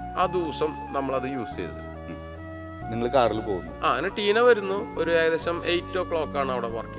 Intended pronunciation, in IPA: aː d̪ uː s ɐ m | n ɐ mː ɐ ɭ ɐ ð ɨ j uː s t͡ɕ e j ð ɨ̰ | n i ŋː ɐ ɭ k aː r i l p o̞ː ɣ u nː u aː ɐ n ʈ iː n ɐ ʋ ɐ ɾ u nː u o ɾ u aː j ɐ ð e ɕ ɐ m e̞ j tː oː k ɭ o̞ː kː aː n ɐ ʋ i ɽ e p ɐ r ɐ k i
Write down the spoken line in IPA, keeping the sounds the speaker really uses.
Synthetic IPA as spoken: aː d̪ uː s ɐ m | n ɐ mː ɐ ɭ ɐ ð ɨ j uː s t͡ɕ e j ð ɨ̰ | n i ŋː ɐ ɭ k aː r i l p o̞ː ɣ u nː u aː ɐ n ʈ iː n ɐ ʋ ɐ ɾ u nː u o ɾ u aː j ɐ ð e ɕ ɐ m e̞ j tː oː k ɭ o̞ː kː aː ɳ ɐ ʋ i ɽ e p ɐ r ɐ k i